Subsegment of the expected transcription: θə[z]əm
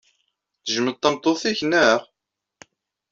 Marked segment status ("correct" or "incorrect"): incorrect